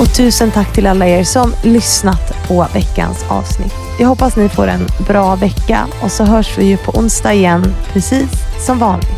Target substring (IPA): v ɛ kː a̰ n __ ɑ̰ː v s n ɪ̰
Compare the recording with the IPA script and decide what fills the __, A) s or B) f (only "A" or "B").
A